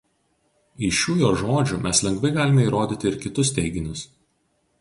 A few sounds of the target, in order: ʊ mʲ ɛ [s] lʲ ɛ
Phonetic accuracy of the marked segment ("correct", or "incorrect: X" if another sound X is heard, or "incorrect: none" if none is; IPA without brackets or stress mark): correct